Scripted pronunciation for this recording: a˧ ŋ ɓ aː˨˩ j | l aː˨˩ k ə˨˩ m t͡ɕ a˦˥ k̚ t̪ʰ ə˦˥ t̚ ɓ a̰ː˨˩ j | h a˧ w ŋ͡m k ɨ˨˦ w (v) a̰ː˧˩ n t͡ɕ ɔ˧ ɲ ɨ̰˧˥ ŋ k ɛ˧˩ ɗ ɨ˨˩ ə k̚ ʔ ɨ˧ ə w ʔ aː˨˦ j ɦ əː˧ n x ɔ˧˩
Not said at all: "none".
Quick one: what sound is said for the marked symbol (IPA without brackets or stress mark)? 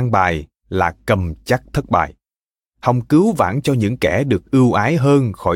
v